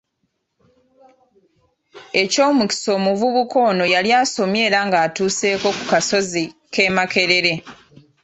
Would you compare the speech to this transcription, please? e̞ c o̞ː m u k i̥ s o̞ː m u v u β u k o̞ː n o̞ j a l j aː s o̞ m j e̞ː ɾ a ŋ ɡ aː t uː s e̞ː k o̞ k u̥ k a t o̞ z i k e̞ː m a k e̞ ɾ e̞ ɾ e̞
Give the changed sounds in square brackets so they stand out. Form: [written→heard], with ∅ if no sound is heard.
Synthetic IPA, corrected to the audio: e̞ c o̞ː m u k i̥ s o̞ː m u v u β u k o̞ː n o̞ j a l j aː s o̞ m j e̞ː ɾ a ŋ ɡ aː t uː s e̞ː k o̞ k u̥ k a [t→s] o̞ z i k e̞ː m a k e̞ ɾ e̞ ɾ e̞

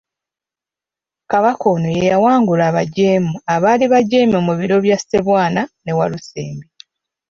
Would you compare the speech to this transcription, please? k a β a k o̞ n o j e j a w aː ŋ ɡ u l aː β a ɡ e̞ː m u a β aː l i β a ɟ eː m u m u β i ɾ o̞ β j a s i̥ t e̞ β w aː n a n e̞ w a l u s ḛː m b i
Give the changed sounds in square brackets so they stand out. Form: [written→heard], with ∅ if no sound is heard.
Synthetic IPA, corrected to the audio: k a β a k o̞ n o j e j a w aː ŋ ɡ u l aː β a [ɡ→ɟ] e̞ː m u a β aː l i β a ɟ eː m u m u β i ɾ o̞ β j a s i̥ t e̞ β w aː n a n e̞ w a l u s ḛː m b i

